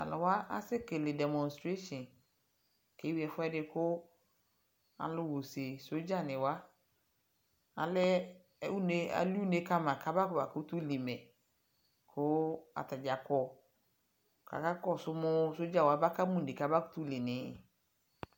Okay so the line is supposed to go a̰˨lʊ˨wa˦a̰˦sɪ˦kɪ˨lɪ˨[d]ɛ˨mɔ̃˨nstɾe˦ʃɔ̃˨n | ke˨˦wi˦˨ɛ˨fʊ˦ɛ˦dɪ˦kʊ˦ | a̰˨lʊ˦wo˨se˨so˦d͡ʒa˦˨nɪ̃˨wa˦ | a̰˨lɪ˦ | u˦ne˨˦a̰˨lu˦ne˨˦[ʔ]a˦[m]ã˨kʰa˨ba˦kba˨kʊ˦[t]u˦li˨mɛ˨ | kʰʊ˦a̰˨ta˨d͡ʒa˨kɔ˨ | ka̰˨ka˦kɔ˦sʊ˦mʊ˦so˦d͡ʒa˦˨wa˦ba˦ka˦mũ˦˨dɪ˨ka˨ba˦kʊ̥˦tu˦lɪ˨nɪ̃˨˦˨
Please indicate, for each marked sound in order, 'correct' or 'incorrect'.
correct, incorrect, correct, correct

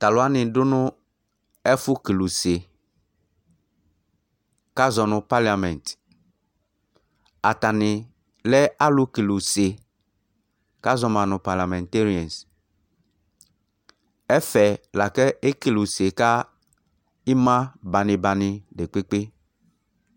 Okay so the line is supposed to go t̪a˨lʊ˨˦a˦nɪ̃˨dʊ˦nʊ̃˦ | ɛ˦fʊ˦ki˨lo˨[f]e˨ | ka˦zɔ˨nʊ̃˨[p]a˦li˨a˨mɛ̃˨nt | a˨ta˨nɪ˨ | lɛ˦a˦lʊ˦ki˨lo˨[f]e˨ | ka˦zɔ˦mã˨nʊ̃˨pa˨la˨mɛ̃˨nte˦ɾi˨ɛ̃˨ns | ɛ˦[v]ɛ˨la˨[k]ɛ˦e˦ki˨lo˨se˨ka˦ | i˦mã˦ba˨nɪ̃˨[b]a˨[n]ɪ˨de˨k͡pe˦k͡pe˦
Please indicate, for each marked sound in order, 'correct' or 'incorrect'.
incorrect, correct, incorrect, incorrect, correct, correct, correct

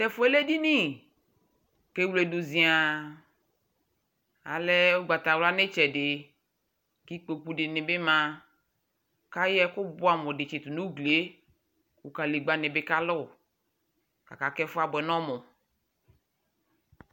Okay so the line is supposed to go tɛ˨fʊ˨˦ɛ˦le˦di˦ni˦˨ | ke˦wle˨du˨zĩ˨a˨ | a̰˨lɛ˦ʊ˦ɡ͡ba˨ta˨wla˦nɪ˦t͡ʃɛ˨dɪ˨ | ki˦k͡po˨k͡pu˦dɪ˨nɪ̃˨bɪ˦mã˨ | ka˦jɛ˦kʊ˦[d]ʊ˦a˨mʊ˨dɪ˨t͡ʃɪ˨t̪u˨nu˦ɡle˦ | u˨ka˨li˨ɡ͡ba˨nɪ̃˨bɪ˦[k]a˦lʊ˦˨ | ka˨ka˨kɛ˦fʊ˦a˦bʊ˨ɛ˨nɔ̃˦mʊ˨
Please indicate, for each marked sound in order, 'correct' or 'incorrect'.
incorrect, correct

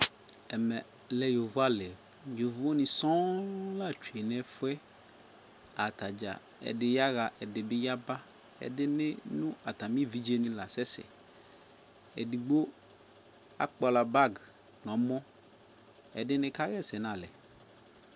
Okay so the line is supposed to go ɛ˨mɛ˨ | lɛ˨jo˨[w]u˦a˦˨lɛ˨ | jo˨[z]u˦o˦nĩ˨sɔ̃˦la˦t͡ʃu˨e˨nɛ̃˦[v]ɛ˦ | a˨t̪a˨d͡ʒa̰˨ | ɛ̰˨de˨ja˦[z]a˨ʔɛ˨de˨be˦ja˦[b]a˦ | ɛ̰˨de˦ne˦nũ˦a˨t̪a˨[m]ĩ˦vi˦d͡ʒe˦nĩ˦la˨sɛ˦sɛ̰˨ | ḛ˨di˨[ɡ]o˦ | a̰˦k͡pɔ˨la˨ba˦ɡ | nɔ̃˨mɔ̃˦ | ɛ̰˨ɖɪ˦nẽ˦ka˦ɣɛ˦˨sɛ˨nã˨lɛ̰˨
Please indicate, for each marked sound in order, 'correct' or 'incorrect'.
incorrect, incorrect, incorrect, incorrect, correct, correct, incorrect

